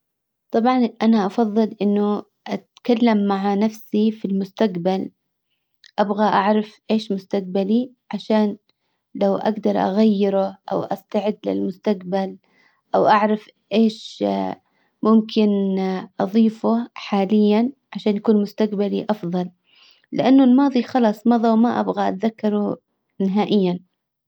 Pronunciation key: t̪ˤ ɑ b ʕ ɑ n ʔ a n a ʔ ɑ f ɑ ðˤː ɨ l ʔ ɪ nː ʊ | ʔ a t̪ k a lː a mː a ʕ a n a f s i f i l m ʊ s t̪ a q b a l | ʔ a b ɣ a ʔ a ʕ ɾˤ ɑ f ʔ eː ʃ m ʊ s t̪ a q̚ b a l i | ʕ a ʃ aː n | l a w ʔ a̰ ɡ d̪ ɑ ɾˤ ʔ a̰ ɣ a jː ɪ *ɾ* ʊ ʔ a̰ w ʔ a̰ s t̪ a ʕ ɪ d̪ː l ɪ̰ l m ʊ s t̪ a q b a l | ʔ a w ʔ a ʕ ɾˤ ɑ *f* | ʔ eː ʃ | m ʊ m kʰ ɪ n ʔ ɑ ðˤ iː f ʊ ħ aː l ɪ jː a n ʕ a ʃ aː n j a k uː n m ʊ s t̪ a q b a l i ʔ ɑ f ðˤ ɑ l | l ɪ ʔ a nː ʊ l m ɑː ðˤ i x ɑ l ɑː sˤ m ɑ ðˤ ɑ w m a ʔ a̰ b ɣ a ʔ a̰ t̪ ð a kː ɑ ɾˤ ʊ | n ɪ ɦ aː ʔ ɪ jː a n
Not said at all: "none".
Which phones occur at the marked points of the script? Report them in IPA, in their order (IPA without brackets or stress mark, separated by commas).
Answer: ɾ, f